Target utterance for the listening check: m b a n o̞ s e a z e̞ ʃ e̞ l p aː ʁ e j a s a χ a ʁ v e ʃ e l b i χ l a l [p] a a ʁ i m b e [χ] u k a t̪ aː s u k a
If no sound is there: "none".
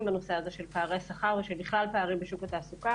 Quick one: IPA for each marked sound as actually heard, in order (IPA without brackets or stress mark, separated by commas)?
p, ʃ